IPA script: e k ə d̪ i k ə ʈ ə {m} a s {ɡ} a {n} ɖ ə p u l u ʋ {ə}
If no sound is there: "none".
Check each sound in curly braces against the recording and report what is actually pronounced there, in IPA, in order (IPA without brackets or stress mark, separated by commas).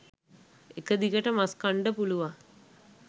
m, k, ɳ, a